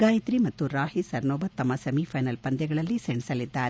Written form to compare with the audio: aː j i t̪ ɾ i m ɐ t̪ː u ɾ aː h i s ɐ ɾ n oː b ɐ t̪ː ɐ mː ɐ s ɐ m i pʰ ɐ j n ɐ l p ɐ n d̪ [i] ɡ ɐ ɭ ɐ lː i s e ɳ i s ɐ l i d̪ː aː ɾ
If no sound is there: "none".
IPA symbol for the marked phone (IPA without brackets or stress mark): ɛ